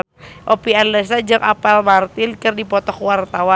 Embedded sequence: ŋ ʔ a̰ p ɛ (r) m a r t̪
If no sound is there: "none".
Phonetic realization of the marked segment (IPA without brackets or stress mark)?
l